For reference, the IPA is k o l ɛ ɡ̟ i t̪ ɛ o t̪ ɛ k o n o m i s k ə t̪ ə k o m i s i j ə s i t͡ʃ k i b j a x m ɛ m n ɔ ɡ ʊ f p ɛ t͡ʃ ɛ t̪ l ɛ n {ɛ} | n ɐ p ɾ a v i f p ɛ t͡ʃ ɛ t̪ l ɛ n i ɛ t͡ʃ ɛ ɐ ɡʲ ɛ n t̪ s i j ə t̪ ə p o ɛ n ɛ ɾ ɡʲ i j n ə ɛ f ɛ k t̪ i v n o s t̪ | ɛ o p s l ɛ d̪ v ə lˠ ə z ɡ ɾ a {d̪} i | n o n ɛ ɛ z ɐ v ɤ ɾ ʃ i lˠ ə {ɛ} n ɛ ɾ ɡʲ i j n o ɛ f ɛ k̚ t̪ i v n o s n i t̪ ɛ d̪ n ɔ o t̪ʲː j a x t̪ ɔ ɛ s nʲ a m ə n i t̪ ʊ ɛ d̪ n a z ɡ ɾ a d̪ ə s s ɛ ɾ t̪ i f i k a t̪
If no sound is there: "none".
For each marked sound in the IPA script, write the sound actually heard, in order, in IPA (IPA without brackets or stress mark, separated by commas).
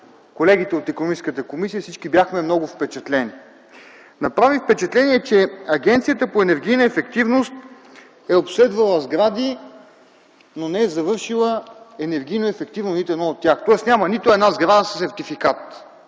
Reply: i, d̪, ɛ